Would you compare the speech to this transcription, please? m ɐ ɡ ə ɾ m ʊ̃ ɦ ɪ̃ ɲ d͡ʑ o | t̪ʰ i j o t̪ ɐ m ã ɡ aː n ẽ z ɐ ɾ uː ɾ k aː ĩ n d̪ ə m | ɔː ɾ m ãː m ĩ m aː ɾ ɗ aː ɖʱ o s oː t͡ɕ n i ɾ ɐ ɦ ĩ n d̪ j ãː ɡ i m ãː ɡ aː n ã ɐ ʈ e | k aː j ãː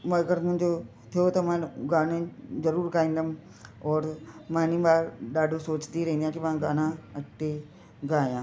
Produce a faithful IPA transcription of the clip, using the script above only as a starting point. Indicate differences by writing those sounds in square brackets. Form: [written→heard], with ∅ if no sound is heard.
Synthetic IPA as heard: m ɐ ɡ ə ɾ m ʊ̃ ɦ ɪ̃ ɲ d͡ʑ o | t̪ʰ i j o t̪ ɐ m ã ɡ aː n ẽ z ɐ ɾ uː ɾ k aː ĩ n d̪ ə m | ɔː ɾ m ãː [m→n] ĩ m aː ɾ ɗ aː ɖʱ o s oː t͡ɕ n i ɾ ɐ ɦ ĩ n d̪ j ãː [ɡ→k] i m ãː ɡ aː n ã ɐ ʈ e | [k→ɡ] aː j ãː